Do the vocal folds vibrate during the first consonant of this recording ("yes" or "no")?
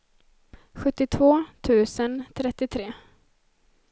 no